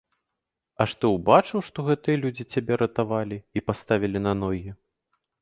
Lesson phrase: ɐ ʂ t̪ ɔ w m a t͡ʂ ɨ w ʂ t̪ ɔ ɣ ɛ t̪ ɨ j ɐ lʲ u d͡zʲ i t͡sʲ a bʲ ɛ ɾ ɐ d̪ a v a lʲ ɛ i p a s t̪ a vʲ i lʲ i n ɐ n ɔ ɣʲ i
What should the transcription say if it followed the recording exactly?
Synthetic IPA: ɐ ʂ t̪ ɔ w b a t͡ʂ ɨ w ʂ t̪ ɔ ɣ ɛ t̪ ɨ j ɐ lʲ u d͡zʲ i t͡sʲ a bʲ ɛ ɾ ɐ t̪ a v a lʲ i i p a s t̪ a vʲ i lʲ i n ɐ n ɔ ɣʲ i